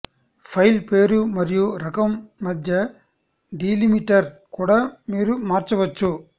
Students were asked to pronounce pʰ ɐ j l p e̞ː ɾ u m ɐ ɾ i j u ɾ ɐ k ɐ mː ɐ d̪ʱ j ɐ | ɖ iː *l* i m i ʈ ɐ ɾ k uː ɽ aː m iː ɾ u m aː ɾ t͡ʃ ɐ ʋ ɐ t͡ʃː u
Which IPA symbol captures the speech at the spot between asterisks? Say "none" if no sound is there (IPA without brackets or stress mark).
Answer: l